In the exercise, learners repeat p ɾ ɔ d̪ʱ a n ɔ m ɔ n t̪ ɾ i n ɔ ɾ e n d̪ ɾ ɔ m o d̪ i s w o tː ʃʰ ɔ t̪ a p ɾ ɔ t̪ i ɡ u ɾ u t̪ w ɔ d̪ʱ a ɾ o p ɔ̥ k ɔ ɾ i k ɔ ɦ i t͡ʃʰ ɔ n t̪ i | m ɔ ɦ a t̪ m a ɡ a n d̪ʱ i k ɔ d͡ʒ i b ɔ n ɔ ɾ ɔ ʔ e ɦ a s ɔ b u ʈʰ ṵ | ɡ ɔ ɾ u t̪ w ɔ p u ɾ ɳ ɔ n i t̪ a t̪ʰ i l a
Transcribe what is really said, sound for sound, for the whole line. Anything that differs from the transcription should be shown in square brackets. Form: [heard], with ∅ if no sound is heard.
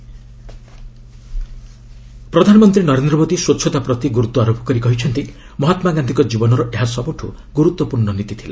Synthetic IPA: p ɾ ɔ d̪ʱ a n ɔ m ɔ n t̪ ɾ i n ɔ ɾ e n d̪ ɾ ɔ m o d̪ i s w o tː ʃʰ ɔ t̪ a p ɾ ɔ t̪ i ɡ u ɾ u t̪ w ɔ [∅] a ɾ o p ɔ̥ k ɔ ɾ i k ɔ ɦ i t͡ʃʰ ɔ n t̪ i | m ɔ ɦ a t̪ m a ɡ a n d̪ʱ i k ɔ d͡ʒ i b ɔ n ɔ ɾ ɔ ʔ e ɦ a s ɔ b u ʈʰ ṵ | ɡ [u] ɾ u t̪ w ɔ p u ɾ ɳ ɔ n i t̪ [i] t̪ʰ i l a